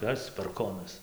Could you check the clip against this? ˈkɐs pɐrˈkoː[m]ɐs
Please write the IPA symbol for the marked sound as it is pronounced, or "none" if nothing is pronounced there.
n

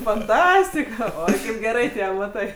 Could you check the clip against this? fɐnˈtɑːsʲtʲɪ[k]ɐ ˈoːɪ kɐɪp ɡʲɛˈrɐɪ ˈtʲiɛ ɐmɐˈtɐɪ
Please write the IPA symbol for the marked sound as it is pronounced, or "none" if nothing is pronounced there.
k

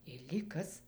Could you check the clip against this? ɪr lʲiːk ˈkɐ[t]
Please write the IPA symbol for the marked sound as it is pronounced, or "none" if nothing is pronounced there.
s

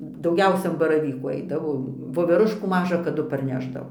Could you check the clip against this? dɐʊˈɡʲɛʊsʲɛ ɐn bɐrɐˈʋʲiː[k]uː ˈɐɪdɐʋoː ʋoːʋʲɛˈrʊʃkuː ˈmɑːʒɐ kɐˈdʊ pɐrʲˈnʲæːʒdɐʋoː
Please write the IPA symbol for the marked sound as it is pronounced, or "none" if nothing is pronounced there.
k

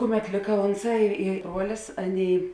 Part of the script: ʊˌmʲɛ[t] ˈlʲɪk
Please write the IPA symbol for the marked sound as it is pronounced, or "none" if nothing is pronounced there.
t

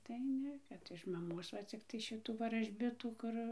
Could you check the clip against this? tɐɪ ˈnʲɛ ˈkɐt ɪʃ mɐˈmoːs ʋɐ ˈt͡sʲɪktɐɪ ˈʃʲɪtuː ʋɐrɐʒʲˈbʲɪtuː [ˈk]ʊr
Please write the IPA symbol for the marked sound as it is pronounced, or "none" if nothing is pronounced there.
k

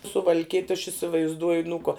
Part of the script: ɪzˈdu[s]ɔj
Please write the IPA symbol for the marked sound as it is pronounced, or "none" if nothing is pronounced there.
none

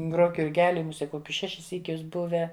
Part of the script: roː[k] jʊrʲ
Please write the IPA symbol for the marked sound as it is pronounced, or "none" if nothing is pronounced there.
k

